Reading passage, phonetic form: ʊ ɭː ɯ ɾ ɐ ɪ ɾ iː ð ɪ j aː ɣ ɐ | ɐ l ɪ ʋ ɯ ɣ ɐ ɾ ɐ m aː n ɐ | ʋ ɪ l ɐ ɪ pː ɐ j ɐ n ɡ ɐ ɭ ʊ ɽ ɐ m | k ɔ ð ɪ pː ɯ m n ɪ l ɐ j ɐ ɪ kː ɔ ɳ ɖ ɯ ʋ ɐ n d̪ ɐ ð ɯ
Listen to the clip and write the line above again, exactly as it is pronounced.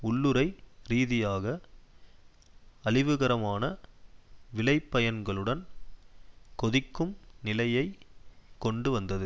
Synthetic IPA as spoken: ʊ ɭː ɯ ɾ ɐ ɪ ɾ iː ð ɪ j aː ɣ ɐ | ɐ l ɪ ʋ ɯ ɣ ɐ ɾ ɐ m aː n ɐ | ʋ ɪ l ɐ ɪ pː ɐ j ɐ n ɡ ɐ ɭ ɯ ɽ ɐ n | k ɔ ð ɪ kː ɯ m n ɪ l ɐ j ɐ ɪ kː ɔ ɳ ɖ ɯ ʋ ɐ n d̪ ɐ ð ɯ